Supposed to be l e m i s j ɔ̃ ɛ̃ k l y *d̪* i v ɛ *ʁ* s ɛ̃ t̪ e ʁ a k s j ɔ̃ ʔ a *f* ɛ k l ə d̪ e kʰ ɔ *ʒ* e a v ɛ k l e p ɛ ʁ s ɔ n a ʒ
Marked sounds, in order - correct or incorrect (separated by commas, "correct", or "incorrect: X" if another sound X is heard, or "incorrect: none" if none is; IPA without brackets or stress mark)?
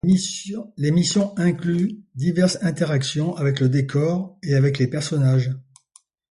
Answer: correct, correct, incorrect: v, incorrect: ʁ